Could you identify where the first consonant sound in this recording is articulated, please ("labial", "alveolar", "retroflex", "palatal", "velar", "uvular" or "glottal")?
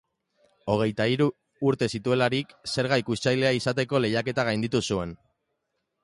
velar